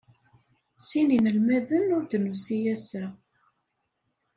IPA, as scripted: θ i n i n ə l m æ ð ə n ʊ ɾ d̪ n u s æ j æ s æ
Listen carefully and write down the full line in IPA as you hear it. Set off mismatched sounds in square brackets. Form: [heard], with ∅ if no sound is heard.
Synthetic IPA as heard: [s] i n i n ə l m æ ð ə n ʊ ɾ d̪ n u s [i] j æ s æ